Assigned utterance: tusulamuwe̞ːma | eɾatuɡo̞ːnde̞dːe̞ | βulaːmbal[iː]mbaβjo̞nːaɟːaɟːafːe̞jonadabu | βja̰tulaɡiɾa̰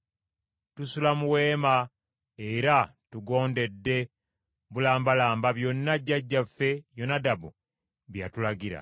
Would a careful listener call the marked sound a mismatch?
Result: yes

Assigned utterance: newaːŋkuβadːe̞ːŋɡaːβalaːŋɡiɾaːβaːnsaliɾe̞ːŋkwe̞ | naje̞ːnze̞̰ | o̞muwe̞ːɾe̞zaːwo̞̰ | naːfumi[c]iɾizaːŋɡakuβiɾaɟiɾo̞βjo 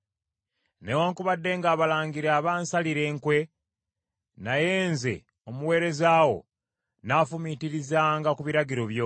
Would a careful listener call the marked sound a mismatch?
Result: yes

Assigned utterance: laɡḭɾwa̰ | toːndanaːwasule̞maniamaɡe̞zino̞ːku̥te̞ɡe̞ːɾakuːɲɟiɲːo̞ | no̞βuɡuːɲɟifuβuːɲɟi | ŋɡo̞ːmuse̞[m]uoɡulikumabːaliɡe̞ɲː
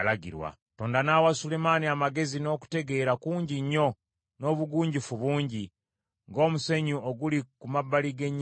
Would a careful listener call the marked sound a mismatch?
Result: yes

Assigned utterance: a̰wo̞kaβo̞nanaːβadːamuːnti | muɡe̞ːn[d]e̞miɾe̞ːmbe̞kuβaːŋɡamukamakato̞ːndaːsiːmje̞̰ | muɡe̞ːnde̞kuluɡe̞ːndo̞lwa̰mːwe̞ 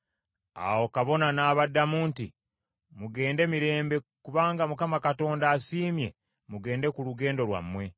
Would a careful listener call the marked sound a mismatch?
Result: no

